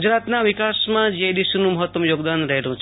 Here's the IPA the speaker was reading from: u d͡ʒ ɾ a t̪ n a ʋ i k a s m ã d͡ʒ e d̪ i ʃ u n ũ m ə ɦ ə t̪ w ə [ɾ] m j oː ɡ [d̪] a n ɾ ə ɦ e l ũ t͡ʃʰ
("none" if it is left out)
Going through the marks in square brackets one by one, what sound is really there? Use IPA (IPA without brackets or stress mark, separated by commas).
none, d̪